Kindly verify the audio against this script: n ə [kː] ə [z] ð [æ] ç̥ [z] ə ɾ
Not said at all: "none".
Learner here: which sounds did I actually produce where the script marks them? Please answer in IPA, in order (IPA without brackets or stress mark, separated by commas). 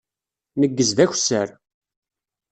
ɡː, z, æ, s